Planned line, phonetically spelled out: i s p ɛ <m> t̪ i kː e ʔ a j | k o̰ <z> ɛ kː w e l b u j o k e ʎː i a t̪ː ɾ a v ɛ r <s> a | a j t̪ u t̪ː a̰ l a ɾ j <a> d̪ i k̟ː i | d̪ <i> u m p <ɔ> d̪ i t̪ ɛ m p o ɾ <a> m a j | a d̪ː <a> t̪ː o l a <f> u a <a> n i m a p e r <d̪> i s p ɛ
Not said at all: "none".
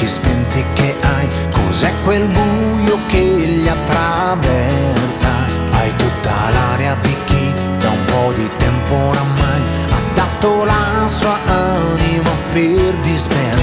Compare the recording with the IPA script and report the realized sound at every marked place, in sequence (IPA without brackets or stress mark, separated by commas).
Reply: n, z, s, a, a, ɔ, a, a, s, a, d̪